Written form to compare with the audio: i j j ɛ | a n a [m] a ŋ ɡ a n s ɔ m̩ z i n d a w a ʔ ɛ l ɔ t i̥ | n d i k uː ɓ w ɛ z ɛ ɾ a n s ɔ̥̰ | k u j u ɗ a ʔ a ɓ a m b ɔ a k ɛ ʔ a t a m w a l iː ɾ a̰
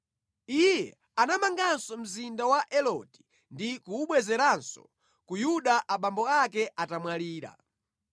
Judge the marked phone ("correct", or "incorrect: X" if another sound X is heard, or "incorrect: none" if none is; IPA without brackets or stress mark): correct